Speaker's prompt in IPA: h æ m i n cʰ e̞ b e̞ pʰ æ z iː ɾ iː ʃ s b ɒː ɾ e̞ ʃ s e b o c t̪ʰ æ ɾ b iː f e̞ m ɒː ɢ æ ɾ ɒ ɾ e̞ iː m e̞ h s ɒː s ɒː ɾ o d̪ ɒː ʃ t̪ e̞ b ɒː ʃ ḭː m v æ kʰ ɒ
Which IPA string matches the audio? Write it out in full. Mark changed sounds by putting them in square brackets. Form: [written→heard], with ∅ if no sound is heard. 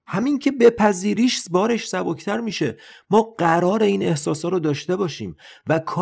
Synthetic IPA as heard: h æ m i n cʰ e̞ b e̞ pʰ æ z iː ɾ iː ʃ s b ɒː ɾ e̞ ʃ s [e→æ] b o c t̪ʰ æ ɾ [b→m] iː [f→ʃ] e̞ m ɒː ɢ æ ɾ [ɒ→ɒː] ɾ e̞ iː [m→n] e̞ h s ɒː s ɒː ɾ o d̪ ɒː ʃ t̪ e̞ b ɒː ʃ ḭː m v æ kʰ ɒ